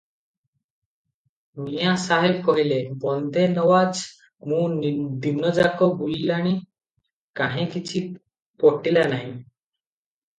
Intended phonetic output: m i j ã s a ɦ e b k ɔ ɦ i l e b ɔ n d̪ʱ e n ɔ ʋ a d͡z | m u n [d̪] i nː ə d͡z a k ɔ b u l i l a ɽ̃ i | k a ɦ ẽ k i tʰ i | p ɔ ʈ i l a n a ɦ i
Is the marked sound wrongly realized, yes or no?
no